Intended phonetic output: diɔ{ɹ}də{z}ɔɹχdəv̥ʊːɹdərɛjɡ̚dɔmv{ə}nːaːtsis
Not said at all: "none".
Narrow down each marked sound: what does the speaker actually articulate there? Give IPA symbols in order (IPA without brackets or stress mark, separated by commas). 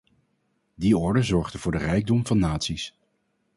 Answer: ɹ, z, ɑ